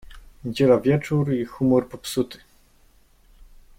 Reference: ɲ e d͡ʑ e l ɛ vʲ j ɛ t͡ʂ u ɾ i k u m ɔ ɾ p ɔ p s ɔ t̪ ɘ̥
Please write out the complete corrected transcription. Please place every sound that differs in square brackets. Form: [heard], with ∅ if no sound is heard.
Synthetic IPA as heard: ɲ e d͡ʑ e l [a] vʲ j ɛ t͡ʂ u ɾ i [x] u m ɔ ɾ p ɔ p s [u] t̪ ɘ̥